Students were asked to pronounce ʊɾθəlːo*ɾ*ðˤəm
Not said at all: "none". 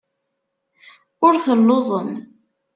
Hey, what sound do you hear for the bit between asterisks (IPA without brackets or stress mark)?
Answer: none